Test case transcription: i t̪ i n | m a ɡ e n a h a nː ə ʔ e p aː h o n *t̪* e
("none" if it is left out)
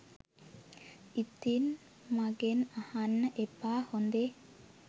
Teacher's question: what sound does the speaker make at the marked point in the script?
d̪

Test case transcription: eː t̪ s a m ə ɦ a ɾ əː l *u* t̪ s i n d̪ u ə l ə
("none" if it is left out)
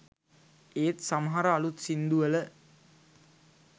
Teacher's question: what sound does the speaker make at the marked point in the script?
u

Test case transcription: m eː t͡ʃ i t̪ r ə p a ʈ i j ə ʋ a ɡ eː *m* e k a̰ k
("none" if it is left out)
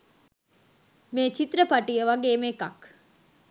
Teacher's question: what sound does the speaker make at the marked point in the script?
m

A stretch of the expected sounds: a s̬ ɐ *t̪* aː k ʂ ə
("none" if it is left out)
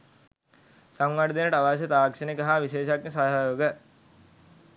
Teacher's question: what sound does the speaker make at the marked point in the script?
t̪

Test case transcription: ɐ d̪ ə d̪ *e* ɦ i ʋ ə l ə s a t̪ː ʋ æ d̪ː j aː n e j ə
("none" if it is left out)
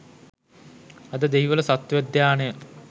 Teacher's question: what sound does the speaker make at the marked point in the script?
e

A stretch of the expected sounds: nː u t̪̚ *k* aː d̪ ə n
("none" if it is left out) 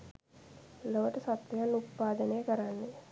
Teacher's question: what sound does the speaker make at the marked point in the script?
p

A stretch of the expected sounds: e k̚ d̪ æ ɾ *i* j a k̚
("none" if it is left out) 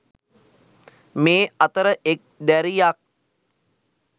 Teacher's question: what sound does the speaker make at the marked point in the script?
i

